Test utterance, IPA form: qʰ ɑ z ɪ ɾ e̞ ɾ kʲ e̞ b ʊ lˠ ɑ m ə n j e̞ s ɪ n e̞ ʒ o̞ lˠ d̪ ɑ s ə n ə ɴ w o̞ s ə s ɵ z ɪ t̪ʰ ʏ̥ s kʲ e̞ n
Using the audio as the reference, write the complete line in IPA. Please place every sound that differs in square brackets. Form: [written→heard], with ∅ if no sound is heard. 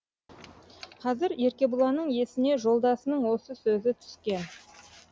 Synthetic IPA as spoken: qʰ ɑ z ɪ ɾ e̞ ɾ kʲ e̞ b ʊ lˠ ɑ [m→n] ə [n→ɴ] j e̞ s ɪ n e̞ ʒ o̞ lˠ d̪ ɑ s ə n ə ɴ w o̞ s ə s ɵ z ɪ t̪ʰ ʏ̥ s kʲ e̞ n

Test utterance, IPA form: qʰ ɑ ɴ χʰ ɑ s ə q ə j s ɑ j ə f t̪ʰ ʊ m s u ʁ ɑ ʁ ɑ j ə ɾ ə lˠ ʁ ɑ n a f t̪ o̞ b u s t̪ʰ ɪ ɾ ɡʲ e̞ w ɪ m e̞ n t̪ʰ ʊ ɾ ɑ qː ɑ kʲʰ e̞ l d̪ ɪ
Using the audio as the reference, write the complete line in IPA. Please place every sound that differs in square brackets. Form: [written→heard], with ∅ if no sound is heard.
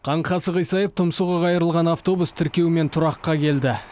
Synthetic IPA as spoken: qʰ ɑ ɴ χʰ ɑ s ə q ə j s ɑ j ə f t̪ʰ ʊ m s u ʁ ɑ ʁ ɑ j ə ɾ ə lˠ ʁ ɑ n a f t̪ o̞ b u s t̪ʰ ɪ ɾ [ɡʲ→kʲ] e̞ w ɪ m e̞ n t̪ʰ ʊ ɾ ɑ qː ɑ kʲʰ e̞ l d̪ ɪ

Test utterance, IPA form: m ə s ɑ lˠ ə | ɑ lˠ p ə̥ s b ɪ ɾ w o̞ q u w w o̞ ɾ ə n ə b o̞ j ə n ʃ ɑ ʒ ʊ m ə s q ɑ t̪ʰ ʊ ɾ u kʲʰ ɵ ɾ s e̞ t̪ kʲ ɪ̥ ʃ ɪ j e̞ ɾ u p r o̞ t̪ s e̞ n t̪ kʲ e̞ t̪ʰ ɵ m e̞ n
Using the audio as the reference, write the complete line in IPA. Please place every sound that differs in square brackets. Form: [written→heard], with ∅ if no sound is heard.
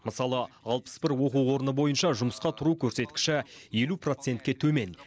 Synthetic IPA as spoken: m ə s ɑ lˠ ə | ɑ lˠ p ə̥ s b ɪ ɾ w o̞ q u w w o̞ ɾ ə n ə b o̞ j ə n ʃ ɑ ʒ ʊ m ə s q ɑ t̪ʰ ʊ ɾ u kʲʰ ɵ ɾ s e̞ t̪ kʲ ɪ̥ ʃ ɪ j e̞ [ɾ→l] u p r o̞ t̪ s e̞ n t̪ kʲ e̞ t̪ʰ ɵ m e̞ n

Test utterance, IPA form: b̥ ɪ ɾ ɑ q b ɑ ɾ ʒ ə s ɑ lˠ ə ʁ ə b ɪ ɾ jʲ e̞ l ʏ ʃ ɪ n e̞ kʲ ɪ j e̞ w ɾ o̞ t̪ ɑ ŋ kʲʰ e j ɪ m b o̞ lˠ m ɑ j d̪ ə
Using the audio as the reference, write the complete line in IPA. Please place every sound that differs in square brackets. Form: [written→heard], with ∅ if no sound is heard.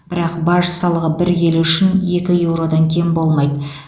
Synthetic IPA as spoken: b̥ ɪ ɾ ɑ q b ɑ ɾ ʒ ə s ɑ lˠ ə ʁ ə b ɪ ɾ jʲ e̞ l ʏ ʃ ɪ n e̞ kʲ ɪ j e̞ w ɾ o̞ [t̪→d̪] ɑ ŋ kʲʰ e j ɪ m b o̞ lˠ m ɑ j d̪ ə

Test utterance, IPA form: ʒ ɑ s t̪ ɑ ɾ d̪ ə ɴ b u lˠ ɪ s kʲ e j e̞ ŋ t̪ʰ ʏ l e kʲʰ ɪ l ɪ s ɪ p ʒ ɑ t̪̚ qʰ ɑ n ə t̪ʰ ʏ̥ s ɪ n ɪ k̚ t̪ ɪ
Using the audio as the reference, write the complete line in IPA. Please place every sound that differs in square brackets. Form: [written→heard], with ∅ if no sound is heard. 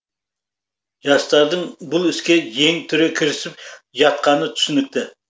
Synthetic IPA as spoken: ʒ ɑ s t̪ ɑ ɾ d̪ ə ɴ b [u→ʊ] lˠ ɪ s kʲ e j e̞ ŋ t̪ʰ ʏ [l→ɾ] e kʲʰ ɪ [l→ɾ] ɪ s ɪ p ʒ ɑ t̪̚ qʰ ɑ n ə t̪ʰ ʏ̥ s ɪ n ɪ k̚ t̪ ɪ

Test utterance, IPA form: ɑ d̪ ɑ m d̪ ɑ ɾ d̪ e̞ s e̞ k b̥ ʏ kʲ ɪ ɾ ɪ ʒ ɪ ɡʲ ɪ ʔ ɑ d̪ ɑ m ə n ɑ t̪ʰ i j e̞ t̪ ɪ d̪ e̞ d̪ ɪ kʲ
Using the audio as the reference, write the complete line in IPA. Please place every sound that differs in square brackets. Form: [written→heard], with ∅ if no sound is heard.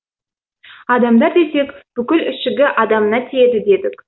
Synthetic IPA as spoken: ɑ d̪ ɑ m d̪ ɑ ɾ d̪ e̞ s e̞ k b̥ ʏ kʲ ɪ [ɾ→l] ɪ [ʒ→ʃ] ɪ ɡʲ ɪ ʔ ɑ d̪ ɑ m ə n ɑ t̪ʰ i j e̞ [t̪→d̪] ɪ d̪ e̞ d̪ ɪ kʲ

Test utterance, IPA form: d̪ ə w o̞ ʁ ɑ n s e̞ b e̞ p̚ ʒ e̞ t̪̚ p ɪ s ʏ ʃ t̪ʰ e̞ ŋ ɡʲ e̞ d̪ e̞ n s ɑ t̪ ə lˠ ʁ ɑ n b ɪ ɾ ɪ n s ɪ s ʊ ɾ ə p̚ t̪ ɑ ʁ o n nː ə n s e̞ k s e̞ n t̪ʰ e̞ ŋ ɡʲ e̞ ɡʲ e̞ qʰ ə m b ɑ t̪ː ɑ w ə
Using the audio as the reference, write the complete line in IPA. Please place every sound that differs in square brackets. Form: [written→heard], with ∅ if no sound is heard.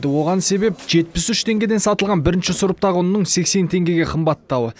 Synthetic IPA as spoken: d̪ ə w o̞ ʁ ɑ n s e̞ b e̞ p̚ ʒ e̞ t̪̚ p ɪ s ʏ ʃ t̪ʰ e̞ ŋ ɡʲ e̞ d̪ e̞ n s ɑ t̪ ə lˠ ʁ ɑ n b ɪ ɾ ɪ n [s→ʃ] ɪ s ʊ ɾ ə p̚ t̪ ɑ ʁ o n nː ə [n→ɴ] s e̞ k s e̞ n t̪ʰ e̞ ŋ ɡʲ e̞ ɡʲ e̞ qʰ ə m b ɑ t̪ː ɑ w ə

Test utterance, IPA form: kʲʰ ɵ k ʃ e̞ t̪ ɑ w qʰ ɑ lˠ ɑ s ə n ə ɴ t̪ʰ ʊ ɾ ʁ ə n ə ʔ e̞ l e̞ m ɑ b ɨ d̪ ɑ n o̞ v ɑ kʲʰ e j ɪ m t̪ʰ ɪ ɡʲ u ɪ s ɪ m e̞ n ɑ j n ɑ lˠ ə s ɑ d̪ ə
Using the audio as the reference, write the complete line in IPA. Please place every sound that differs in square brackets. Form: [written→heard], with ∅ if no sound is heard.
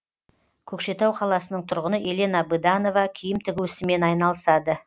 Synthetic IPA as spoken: kʲʰ ɵ k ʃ e̞ t̪ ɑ w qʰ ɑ lˠ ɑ s ə n ə ɴ t̪ʰ ʊ ɾ ʁ ə n ə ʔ e̞ l e̞ [m→n] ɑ b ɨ d̪ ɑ n o̞ v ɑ kʲʰ [e→i] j ɪ m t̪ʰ ɪ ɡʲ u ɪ s ɪ m e̞ n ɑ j n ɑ lˠ ə s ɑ d̪ ə

